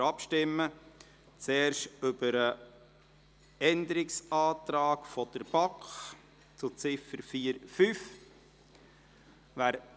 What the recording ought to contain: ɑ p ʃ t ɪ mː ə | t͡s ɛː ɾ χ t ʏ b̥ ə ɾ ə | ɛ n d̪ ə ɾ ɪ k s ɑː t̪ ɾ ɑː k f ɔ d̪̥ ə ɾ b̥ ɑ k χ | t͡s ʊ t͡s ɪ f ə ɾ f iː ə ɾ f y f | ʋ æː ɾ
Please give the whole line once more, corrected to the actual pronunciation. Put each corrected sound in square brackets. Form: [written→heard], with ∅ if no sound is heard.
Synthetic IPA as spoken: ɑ p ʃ t ɪ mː ə | t͡s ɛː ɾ [χ→ʃ] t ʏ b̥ ə ɾ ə | ɛ n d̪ ə ɾ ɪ k s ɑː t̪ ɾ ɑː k f ɔ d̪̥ ə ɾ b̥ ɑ k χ | t͡s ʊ t͡s ɪ f ə ɾ f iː ə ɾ f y f | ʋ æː ɾ